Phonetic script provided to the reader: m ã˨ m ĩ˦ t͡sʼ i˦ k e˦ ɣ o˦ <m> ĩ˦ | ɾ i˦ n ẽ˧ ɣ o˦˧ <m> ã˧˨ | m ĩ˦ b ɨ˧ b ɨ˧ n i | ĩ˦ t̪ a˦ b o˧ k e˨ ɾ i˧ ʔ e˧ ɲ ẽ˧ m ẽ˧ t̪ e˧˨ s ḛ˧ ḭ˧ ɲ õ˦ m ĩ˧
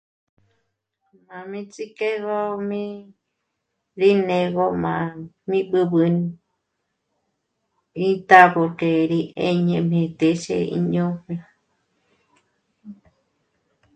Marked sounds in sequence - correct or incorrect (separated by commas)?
correct, correct